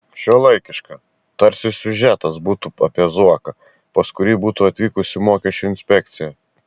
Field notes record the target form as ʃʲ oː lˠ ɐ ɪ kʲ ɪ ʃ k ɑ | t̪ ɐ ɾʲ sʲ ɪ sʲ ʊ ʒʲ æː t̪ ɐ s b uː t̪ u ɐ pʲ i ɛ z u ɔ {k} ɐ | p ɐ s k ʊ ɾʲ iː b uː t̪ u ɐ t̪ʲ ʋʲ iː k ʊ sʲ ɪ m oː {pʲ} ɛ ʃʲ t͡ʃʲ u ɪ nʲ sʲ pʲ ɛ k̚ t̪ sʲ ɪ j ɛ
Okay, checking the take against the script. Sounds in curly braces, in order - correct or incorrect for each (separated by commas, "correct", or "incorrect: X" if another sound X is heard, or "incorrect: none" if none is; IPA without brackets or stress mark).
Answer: correct, incorrect: kʲ